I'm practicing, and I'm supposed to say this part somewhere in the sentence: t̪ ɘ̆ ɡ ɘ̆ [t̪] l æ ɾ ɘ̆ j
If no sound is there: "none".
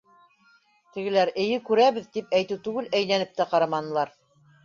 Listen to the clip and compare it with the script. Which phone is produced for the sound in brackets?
none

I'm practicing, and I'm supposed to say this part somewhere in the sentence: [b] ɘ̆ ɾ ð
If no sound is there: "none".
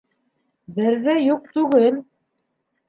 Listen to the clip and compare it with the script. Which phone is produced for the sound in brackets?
b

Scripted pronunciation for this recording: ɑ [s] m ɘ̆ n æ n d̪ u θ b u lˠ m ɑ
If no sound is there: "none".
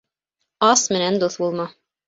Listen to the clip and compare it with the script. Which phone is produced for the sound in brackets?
s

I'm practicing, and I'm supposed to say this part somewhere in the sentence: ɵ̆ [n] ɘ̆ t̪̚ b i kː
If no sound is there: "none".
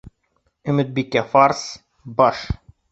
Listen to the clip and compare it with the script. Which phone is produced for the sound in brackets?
m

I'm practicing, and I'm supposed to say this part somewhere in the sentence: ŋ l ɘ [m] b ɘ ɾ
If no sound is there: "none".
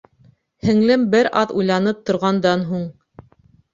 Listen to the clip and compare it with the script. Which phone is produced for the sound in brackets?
m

